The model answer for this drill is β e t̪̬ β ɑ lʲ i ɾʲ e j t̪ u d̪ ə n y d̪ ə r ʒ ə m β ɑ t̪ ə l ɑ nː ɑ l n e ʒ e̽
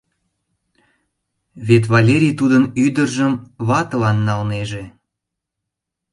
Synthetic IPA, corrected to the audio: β e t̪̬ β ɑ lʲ e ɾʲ i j t̪ u d̪ ə n y d̪ ə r ʒ ə m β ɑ t̪ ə l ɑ nː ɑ l n e ʒ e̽